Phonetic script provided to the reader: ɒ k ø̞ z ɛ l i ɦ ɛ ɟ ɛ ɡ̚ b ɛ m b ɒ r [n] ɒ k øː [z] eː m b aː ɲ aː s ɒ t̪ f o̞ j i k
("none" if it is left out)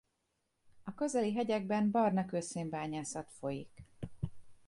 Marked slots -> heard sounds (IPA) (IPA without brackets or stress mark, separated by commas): n, s